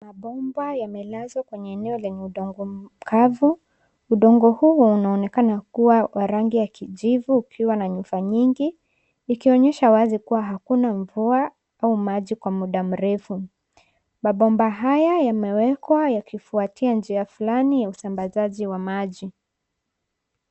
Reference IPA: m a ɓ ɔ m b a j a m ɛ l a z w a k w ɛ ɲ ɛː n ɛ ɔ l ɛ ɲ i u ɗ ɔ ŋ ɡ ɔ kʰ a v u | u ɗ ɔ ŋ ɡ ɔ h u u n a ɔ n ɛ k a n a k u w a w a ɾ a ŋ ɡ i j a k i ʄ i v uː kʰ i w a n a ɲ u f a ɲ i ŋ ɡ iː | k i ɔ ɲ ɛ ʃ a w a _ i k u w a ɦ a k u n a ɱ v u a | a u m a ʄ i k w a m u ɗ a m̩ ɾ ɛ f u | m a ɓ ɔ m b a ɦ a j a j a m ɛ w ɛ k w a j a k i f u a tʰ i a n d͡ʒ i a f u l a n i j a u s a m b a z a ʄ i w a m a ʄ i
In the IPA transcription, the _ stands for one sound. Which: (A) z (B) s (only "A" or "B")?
A